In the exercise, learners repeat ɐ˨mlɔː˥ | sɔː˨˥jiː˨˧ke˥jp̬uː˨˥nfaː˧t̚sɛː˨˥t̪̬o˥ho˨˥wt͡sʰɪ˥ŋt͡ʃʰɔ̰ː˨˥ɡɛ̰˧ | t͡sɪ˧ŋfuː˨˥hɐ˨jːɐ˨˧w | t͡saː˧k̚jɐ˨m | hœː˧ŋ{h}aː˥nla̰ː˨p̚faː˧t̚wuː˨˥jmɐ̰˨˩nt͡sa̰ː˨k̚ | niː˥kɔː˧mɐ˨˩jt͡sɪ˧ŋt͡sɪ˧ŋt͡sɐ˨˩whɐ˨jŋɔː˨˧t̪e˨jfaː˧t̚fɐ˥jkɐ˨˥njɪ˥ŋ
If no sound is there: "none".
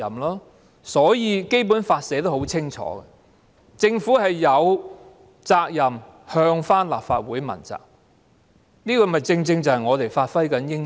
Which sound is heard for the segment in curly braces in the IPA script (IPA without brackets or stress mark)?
f